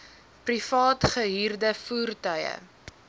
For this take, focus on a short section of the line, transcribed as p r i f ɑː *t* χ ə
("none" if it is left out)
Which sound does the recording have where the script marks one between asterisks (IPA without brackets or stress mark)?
t